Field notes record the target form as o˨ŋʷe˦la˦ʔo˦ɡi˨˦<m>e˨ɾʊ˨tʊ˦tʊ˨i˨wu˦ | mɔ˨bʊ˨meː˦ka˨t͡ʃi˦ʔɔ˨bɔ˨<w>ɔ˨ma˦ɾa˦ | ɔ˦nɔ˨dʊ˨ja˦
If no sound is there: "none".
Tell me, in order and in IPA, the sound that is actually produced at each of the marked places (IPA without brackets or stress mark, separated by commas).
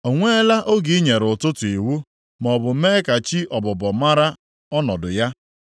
ɲ, b